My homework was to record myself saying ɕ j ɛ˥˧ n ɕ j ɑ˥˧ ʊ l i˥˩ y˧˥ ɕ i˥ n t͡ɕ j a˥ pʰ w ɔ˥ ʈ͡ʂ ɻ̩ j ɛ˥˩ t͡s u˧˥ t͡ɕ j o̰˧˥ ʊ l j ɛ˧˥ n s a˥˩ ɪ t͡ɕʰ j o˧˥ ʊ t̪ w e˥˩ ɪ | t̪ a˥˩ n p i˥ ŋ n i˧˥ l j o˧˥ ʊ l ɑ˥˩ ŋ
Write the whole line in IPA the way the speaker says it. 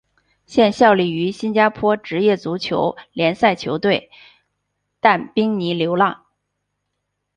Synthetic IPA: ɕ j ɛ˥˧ n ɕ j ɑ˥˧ ʊ l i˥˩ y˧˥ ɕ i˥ n t͡ɕ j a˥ pʰ w ɔ˥ ʈ͡ʂ ɻ̩ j ɛ˥˩ t͡s u˧˥ t͡ɕʰ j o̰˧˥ ʊ l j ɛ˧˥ n s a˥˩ ɪ t͡ɕʰ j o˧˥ ʊ t̪ w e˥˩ ɪ | t̪ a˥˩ n p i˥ ŋ n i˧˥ l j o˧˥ ʊ l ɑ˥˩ ŋ